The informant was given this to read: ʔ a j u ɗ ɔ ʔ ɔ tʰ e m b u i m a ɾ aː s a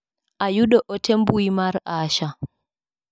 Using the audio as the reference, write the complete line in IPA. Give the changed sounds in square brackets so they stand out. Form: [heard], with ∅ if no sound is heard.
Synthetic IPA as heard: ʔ a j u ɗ ɔ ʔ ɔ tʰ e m b u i m a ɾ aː [ʃ] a